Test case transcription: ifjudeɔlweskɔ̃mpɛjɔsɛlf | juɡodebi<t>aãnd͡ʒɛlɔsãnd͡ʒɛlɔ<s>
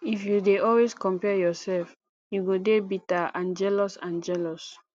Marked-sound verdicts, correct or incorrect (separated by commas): correct, correct